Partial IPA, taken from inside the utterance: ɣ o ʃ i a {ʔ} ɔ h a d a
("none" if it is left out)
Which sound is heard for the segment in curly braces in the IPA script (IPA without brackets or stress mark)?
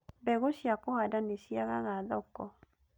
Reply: k